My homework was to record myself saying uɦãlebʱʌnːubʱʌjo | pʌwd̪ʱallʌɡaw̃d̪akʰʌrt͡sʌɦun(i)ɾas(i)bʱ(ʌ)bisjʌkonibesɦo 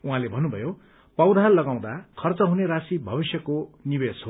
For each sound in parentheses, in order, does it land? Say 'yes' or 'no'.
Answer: no, yes, yes

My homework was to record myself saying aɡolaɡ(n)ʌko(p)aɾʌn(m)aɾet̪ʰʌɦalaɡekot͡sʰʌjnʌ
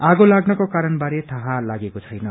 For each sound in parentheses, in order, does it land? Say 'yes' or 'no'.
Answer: yes, no, no

